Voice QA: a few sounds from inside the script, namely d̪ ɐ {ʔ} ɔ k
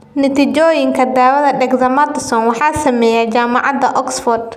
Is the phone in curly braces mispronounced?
no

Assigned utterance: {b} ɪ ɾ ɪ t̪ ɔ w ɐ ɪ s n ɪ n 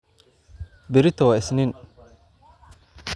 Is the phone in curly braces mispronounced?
no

